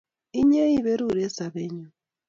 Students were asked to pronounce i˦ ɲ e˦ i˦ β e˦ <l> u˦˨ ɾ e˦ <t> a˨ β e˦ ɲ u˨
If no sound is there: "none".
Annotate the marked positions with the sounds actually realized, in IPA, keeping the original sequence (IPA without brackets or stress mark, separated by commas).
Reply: ɾ, s